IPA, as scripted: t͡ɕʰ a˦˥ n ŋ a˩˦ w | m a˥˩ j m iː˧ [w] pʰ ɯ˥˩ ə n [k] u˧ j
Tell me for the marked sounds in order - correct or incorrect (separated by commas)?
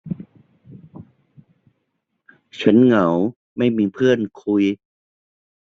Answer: incorrect, incorrect